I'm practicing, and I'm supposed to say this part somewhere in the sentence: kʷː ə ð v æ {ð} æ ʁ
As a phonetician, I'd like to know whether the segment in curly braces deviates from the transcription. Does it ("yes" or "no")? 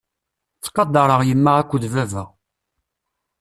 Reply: yes